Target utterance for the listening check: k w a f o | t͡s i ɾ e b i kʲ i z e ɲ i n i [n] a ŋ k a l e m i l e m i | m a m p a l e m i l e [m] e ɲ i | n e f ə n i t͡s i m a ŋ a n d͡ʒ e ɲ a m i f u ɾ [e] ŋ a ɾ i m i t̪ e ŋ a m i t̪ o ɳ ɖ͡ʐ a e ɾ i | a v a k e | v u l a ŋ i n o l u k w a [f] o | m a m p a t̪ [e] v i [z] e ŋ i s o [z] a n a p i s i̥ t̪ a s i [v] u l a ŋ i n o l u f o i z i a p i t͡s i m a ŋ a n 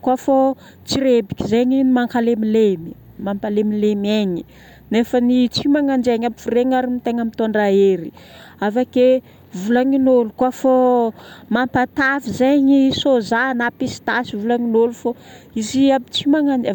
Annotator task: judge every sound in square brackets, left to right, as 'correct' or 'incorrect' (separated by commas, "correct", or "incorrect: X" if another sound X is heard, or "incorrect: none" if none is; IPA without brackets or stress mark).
incorrect: m, correct, correct, correct, incorrect: a, correct, correct, correct